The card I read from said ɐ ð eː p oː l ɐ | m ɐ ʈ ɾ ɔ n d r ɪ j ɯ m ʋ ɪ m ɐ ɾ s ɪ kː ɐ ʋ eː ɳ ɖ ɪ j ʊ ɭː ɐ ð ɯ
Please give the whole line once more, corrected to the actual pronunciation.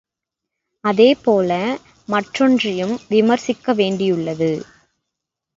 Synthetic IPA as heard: ɐ ð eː p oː l ɐ | m ɐ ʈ r ɔ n d r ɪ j ɯ m ʋ ɪ m ɐ ɾ s ɪ kː ɐ ʋ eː ɳ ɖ ɪ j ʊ ɭː ɐ ð ɯ